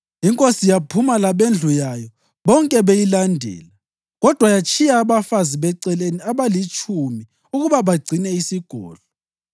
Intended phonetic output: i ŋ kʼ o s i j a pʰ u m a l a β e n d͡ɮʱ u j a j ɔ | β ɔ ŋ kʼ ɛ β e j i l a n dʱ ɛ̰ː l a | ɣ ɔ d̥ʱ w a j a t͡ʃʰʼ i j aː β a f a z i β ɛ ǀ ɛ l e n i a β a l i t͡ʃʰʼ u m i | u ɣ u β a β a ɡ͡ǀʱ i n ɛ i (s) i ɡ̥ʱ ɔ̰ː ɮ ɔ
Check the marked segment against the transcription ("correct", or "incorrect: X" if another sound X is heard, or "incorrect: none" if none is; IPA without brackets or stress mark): correct